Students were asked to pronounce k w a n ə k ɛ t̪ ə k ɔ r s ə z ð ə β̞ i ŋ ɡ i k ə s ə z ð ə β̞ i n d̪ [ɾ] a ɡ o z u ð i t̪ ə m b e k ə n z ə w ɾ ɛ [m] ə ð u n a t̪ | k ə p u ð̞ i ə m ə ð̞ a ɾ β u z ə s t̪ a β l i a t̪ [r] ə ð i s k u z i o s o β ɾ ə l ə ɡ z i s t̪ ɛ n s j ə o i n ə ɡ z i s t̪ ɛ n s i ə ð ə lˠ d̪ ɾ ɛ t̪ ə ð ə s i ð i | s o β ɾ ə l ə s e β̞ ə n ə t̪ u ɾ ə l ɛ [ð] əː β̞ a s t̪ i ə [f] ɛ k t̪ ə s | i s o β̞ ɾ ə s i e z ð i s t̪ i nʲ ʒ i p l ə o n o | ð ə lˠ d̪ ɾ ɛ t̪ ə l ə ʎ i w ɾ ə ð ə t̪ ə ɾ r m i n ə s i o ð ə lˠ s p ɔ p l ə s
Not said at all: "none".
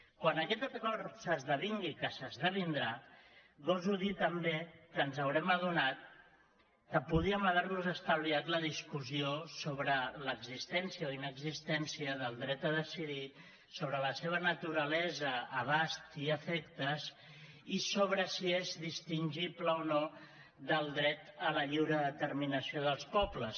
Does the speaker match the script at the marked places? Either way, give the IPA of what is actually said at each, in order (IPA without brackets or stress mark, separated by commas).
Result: ɾ, m, l, z, f